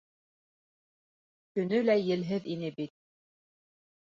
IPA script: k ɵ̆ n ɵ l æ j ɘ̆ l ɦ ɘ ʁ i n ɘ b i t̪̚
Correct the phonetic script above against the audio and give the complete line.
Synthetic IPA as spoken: k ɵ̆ n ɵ l æ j ɘ̆ l ɦ ɘ ð i n ɘ b i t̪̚